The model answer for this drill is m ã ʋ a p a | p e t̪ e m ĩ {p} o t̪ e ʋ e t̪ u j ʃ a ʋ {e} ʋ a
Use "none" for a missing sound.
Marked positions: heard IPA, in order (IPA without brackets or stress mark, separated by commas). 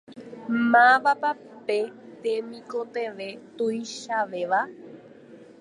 k, e